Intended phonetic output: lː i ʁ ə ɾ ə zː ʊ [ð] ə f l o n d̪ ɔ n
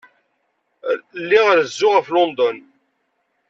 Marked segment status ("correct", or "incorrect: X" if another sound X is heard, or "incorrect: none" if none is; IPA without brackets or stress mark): incorrect: ʁ